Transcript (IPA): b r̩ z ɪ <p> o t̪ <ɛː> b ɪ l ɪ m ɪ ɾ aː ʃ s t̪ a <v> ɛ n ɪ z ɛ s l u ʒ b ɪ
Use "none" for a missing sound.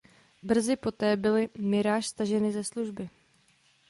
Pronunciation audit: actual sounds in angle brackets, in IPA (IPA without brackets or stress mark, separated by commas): p, ɛː, ʒ